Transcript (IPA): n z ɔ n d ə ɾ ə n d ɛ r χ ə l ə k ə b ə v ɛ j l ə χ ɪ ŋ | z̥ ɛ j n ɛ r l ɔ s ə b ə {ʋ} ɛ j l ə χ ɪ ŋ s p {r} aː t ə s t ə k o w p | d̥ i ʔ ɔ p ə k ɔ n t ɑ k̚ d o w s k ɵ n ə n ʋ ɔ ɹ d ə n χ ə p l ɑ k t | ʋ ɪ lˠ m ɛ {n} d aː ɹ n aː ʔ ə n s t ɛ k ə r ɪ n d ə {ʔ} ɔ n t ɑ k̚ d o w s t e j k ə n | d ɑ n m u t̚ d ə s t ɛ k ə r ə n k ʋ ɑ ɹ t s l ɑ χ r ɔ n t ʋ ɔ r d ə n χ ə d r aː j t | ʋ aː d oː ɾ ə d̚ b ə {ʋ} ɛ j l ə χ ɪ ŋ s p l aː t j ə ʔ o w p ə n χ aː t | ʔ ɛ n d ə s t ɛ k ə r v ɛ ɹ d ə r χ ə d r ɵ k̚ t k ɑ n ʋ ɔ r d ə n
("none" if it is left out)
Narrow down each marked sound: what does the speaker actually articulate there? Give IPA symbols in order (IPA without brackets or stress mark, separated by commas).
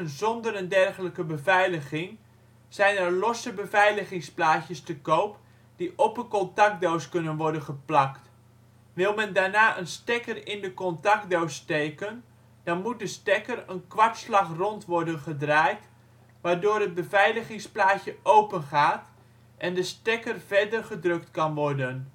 v, l, n, k, v